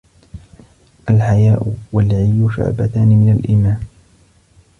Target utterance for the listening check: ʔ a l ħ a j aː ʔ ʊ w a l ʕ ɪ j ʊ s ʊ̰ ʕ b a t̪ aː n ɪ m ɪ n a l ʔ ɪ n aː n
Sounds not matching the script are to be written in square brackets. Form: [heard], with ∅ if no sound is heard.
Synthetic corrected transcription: ʔ a l ħ a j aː ʔ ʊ w a l ʕ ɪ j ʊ [ʃ] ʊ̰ ʕ b a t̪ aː n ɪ m ɪ n a l ʔ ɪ [m] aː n